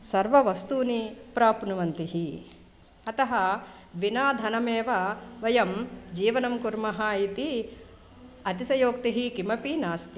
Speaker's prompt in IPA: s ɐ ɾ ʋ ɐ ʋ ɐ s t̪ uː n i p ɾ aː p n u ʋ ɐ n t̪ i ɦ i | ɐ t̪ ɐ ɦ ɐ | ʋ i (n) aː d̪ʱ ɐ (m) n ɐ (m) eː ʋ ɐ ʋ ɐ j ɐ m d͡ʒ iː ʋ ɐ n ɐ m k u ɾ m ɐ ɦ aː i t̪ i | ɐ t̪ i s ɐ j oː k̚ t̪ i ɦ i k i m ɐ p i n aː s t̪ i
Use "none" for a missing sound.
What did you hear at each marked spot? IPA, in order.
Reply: n, none, m

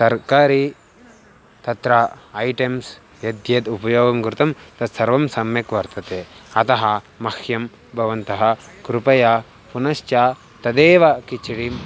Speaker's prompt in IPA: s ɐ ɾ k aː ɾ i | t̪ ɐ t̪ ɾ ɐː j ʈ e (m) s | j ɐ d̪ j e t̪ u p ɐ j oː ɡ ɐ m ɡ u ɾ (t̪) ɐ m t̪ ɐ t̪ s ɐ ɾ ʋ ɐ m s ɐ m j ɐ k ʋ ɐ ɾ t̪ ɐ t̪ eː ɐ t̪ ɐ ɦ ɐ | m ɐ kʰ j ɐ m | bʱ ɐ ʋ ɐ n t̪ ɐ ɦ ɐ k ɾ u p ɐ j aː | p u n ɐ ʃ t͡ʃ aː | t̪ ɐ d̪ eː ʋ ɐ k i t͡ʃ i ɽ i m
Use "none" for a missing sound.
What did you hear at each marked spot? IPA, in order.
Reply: m, t̪

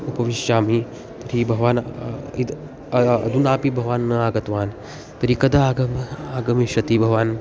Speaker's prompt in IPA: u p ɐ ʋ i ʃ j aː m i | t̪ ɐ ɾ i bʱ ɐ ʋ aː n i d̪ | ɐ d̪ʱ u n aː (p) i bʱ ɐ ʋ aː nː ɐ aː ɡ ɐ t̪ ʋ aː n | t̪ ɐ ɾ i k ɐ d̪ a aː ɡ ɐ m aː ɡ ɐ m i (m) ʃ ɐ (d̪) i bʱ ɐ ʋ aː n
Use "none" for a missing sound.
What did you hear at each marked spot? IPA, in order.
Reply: p, none, t̪

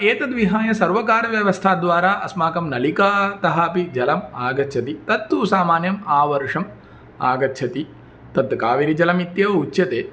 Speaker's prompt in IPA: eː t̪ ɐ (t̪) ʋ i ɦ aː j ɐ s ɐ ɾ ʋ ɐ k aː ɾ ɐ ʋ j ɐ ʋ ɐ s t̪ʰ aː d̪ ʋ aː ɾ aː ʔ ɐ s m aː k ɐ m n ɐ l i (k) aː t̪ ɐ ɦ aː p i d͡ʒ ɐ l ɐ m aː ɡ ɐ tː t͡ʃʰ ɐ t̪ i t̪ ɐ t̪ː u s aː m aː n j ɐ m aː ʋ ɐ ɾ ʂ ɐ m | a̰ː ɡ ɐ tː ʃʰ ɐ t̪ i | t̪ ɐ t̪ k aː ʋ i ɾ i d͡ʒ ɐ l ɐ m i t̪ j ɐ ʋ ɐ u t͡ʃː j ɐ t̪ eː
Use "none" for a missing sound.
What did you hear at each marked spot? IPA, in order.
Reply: d̪, k

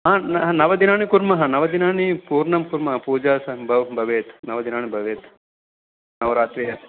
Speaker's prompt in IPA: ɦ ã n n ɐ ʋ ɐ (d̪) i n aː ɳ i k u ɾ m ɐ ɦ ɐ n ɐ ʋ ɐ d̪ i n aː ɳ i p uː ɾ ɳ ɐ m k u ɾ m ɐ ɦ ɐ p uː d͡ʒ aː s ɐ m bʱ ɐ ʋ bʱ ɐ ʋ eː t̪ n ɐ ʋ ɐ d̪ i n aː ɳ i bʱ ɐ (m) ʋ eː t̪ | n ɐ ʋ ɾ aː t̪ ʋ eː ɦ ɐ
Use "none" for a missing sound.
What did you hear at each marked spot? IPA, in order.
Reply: d̪, none

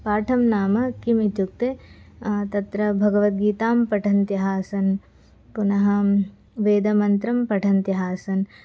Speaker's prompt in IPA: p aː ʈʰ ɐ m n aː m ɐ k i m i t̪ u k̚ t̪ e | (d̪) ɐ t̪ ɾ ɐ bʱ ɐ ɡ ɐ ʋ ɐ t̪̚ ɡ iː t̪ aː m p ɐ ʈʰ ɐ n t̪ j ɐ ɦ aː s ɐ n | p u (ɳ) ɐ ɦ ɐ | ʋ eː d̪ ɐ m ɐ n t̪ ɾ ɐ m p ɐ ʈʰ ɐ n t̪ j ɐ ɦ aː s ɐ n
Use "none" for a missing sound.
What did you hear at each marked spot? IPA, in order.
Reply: t̪, n

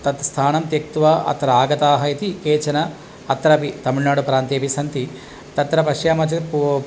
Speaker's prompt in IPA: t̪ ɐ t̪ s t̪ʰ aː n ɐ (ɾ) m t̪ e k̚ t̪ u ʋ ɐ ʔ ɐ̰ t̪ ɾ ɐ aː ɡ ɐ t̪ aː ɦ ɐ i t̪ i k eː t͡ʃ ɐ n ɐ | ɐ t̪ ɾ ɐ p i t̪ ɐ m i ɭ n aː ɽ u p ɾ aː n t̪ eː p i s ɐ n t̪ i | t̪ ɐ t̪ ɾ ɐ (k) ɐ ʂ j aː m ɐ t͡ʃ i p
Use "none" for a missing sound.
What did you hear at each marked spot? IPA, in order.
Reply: none, p

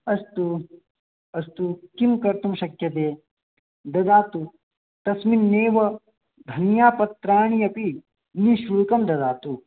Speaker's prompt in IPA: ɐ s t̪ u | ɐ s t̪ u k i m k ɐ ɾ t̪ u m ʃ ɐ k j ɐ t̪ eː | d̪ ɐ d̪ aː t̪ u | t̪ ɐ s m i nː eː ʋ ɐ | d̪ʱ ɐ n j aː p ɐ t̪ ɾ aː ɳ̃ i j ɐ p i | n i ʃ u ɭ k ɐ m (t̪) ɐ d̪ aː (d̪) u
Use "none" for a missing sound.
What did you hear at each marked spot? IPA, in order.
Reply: d̪, t̪

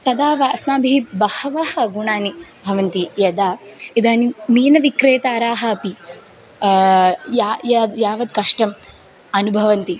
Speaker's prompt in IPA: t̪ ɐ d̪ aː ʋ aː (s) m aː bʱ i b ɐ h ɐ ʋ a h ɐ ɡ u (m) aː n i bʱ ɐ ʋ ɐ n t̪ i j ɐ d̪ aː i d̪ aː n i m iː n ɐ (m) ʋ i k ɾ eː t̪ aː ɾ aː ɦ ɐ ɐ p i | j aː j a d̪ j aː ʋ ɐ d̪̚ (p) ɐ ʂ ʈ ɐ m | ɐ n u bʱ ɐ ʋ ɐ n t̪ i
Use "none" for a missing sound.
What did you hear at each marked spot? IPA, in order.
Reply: s, ɳ, none, k

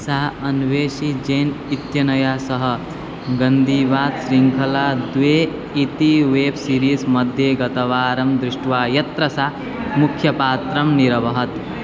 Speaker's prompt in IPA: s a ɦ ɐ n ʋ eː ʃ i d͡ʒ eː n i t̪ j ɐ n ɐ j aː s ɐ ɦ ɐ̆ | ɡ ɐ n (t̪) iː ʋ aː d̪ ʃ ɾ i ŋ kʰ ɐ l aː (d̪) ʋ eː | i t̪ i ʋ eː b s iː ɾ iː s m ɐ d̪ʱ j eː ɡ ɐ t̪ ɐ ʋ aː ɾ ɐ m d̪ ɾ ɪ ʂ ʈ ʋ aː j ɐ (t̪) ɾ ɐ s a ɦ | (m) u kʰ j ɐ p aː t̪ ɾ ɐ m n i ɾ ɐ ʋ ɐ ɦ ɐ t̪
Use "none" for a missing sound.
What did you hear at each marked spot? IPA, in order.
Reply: d̪, d̪, t̪, m

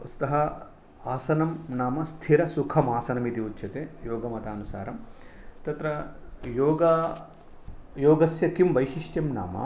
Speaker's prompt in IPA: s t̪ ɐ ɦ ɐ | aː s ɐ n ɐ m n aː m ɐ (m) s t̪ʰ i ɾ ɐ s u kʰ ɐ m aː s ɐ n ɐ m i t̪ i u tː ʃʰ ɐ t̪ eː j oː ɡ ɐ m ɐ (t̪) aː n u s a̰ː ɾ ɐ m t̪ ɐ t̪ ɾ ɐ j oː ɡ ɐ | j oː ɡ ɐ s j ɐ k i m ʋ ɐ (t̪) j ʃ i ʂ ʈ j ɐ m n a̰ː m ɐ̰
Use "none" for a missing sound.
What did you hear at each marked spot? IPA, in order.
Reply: none, t̪, none

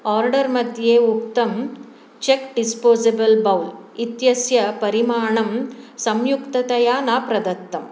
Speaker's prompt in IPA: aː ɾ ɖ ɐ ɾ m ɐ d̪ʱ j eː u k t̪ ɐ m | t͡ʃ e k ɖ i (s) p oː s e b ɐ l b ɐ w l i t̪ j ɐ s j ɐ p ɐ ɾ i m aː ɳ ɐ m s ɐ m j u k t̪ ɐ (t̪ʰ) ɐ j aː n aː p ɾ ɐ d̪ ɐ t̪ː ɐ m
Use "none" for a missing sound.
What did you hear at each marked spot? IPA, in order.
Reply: s, t̪

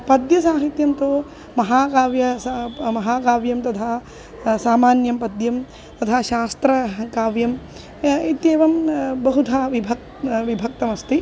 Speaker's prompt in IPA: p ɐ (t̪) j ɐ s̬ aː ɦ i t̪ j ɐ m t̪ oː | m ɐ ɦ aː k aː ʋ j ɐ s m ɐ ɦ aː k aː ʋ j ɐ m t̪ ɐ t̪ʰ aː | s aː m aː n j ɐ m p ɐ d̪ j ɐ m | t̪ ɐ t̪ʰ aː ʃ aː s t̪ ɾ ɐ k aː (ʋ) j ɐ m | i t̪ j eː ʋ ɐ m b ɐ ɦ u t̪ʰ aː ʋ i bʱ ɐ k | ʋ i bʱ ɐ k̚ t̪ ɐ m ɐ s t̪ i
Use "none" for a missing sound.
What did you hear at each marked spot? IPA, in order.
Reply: d̪, ʋ

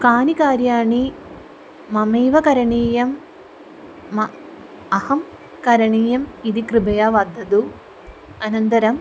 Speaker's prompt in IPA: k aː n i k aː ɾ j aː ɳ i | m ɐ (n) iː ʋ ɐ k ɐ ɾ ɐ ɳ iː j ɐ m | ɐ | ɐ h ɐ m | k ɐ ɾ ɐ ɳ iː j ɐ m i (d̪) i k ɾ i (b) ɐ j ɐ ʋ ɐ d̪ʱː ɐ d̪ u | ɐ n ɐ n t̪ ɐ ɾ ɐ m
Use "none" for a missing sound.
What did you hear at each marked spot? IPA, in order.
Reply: m, d̪, b

